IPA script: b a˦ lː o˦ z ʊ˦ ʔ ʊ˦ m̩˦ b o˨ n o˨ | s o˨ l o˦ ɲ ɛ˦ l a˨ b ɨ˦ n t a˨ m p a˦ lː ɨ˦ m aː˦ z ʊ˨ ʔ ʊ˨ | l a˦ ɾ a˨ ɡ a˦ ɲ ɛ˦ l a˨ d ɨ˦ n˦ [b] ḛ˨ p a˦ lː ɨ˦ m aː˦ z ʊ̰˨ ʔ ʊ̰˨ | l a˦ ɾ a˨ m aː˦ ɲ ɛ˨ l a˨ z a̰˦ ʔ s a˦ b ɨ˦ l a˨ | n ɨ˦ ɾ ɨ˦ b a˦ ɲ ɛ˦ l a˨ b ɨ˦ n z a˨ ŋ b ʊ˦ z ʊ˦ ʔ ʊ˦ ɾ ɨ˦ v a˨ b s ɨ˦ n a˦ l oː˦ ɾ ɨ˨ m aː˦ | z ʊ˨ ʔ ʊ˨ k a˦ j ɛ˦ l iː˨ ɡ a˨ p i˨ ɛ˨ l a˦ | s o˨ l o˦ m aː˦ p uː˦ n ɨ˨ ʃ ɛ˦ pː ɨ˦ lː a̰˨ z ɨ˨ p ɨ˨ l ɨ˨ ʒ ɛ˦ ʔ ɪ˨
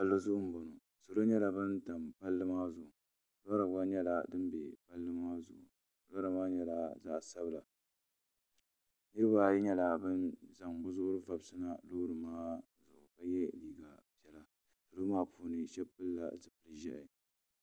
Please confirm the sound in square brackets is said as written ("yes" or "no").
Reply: yes